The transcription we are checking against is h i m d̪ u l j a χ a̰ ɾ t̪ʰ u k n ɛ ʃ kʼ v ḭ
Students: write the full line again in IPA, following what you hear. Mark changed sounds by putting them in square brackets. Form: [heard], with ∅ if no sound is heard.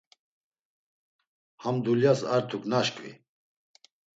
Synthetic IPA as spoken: h [a] m d̪ u l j a [s] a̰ ɾ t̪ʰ u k n [a] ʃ kʼ v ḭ